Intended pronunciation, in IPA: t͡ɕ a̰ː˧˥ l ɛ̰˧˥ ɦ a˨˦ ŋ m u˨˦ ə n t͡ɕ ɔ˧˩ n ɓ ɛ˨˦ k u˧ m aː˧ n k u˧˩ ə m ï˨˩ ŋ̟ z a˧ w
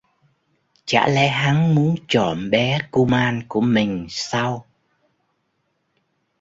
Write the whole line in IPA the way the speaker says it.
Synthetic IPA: t͡ɕ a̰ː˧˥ l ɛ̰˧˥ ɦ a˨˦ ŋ m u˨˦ ə n t͡ɕ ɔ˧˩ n ɓ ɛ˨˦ k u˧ m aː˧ n k u˧˩ ə m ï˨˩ ŋ̟ s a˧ w